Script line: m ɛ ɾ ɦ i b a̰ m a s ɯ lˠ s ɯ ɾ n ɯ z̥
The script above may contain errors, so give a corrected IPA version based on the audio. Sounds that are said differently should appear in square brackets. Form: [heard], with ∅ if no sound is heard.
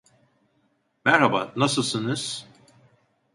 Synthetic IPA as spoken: m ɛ ɾ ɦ [a] b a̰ [n] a s ɯ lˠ s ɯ [∅] n ɯ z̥